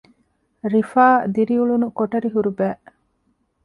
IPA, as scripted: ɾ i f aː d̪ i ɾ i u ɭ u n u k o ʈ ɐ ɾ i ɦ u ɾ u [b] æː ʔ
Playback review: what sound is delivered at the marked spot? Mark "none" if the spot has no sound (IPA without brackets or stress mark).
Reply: b